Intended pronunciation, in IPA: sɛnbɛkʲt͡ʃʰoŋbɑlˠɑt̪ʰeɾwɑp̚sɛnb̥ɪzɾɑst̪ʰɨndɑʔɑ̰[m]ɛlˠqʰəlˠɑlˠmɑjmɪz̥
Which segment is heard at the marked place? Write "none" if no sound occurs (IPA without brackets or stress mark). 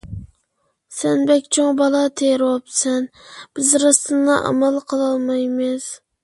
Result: m